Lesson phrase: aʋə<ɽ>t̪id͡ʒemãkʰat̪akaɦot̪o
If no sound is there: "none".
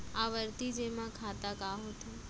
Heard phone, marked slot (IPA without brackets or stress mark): ɾ